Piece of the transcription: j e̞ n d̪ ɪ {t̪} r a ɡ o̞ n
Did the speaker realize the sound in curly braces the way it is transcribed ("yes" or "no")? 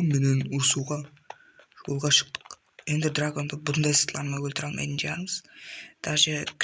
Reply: no